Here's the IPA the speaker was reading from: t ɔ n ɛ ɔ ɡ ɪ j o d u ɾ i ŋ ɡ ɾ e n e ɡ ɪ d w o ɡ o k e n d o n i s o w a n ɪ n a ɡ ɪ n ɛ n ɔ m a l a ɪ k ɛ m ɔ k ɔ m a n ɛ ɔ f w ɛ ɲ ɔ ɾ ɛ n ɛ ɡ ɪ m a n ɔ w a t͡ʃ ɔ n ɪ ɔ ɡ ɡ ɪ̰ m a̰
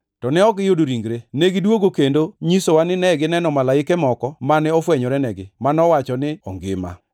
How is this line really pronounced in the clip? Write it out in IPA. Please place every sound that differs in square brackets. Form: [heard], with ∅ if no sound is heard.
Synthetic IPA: t ɔ n ɛ ɔ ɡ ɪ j o d [o] ɾ i ŋ ɡ ɾ e n e ɡ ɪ d w o ɡ o k e n d o [ɲ] i s o w a n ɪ n [ɛ] ɡ ɪ n ɛ n ɔ m a l a ɪ k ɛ m ɔ k ɔ m a n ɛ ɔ f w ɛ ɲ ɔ ɾ ɛ n ɛ ɡ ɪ m a n ɔ w a t͡ʃ ɔ n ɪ ɔ [ŋ] ɡ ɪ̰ m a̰